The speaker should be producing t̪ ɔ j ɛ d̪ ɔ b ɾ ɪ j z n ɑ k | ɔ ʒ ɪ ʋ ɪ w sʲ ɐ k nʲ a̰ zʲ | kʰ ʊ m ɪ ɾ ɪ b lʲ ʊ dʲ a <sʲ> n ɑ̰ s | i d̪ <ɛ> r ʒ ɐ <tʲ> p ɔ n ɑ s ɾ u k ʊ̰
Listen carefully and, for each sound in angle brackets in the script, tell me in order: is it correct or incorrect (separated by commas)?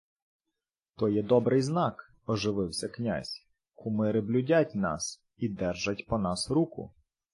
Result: incorrect, correct, correct